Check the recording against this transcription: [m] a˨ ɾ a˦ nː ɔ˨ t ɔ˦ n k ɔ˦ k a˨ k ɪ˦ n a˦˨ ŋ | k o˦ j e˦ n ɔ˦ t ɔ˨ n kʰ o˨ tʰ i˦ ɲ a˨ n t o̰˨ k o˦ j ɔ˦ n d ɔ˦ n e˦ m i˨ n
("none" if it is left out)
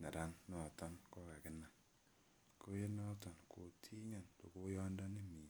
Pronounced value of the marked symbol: n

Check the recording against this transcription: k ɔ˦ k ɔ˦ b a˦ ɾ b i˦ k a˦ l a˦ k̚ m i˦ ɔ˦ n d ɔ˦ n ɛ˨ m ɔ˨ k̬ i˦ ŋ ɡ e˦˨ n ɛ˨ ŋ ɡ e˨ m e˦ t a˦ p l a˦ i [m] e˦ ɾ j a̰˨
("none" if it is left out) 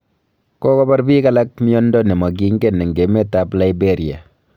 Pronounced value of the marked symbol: b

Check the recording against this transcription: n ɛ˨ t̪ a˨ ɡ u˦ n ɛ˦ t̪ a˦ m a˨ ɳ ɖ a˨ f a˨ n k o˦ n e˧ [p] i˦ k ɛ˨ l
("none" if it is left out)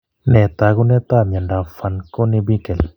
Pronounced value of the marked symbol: b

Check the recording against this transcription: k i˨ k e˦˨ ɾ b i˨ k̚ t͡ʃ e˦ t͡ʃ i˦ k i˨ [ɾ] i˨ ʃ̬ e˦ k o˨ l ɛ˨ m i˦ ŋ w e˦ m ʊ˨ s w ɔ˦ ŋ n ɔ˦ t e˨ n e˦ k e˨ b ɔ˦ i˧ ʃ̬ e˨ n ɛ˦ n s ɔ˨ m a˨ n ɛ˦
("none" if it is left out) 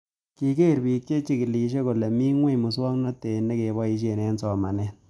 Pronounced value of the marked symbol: l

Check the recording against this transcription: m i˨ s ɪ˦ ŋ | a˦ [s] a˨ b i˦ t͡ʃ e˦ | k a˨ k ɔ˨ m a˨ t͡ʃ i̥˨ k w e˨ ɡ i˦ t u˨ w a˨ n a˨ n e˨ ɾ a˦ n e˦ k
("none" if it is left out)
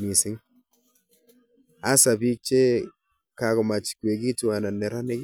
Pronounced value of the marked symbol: s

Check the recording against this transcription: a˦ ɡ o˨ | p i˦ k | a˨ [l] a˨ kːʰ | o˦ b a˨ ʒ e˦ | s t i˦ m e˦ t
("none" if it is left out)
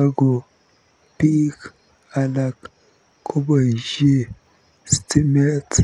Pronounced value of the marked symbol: l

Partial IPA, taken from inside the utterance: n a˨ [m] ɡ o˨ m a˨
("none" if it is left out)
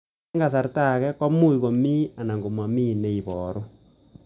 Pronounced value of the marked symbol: ŋ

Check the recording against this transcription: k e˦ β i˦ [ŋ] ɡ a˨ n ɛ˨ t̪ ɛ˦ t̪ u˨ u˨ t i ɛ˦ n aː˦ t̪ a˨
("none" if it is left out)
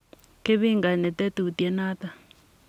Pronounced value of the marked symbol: ŋ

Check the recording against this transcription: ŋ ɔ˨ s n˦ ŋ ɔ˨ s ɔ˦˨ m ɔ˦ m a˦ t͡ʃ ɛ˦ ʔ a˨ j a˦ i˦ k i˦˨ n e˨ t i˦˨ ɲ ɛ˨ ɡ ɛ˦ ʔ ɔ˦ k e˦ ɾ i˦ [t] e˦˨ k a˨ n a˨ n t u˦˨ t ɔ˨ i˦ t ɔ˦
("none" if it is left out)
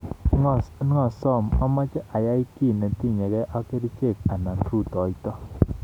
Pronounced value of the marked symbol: t͡ʃ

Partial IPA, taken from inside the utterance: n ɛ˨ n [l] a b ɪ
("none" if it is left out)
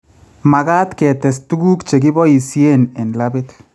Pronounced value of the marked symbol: l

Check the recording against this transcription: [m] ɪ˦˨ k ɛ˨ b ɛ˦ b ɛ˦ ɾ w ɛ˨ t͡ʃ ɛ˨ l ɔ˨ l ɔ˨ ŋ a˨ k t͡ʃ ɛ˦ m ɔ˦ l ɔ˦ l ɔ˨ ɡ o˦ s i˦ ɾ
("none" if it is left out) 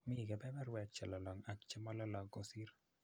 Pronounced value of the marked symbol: m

